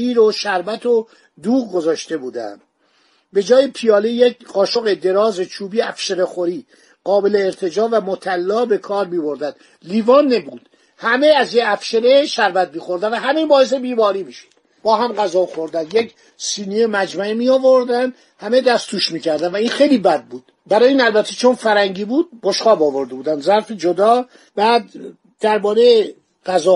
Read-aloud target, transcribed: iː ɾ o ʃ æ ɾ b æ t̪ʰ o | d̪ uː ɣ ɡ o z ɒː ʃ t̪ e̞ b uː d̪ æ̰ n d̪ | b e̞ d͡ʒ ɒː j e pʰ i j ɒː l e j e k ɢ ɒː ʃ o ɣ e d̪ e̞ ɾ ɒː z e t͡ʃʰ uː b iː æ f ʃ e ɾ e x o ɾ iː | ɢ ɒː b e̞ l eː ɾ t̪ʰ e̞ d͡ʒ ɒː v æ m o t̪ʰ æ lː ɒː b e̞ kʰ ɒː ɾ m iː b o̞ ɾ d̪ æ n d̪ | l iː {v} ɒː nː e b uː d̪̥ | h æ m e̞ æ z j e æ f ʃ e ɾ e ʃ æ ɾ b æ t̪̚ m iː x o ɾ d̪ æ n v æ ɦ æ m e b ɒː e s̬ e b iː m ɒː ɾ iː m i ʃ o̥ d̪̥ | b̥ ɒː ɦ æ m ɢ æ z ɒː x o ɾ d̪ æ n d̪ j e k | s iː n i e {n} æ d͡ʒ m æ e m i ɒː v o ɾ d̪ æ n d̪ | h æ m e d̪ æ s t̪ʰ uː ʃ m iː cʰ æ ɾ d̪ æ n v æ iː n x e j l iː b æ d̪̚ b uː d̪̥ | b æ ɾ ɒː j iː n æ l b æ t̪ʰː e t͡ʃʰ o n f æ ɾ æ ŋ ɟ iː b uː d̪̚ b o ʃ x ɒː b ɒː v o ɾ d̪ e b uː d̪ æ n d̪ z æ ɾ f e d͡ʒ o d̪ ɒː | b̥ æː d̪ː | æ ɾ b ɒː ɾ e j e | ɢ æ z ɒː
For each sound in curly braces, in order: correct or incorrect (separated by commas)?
correct, incorrect